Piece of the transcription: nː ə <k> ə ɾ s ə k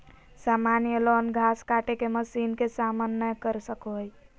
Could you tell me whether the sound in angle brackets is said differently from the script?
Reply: no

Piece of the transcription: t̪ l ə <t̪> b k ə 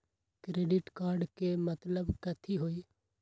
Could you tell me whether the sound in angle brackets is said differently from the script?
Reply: yes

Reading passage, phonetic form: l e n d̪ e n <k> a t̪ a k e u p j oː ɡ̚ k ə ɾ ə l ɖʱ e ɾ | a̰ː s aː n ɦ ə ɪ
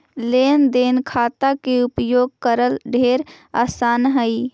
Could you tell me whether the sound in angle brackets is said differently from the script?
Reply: yes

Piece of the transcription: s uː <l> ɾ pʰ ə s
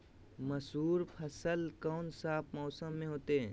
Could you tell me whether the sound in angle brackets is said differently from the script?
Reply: yes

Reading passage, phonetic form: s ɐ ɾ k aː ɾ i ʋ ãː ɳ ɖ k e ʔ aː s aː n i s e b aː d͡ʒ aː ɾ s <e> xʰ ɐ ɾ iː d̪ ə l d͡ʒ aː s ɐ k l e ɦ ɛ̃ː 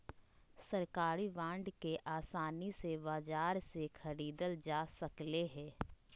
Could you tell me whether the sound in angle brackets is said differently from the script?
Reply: no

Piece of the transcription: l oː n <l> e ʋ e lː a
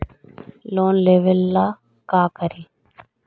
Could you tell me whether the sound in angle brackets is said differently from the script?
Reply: no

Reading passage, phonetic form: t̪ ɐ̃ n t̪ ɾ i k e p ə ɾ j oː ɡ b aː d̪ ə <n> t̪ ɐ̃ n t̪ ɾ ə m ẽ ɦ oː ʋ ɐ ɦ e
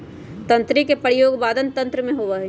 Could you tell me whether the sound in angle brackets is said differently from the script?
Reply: no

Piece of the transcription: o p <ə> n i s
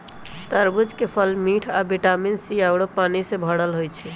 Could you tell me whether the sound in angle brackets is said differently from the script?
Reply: yes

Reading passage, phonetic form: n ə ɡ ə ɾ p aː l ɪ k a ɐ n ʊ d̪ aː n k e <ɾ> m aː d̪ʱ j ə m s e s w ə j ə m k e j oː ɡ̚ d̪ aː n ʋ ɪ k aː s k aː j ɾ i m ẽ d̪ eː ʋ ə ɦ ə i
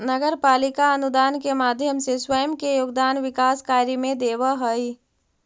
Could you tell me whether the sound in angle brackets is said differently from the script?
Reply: yes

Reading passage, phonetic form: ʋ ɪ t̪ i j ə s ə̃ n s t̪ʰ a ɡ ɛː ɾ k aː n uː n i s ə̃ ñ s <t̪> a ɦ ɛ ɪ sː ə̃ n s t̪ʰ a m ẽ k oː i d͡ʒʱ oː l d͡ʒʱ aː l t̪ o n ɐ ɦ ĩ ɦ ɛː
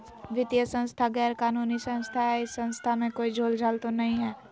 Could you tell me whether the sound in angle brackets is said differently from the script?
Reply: yes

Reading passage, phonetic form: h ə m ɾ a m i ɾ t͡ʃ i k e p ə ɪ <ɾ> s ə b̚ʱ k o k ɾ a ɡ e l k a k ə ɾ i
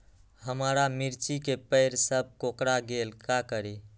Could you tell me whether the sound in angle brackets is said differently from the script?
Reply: no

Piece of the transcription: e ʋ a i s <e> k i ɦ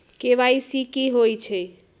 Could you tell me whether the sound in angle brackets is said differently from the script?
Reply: yes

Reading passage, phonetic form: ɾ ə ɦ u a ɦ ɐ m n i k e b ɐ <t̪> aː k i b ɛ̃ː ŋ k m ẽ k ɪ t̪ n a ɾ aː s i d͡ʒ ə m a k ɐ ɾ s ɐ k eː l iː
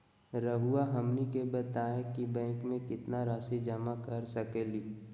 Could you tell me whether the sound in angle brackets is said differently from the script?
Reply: no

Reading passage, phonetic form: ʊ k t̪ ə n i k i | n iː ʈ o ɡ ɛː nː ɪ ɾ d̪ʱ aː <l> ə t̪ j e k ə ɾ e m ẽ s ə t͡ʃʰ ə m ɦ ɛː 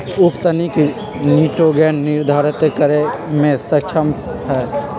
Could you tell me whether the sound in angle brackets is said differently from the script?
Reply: yes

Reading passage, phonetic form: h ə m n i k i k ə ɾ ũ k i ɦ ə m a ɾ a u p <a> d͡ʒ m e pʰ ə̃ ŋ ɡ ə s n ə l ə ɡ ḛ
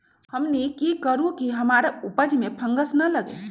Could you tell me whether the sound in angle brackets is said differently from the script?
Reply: yes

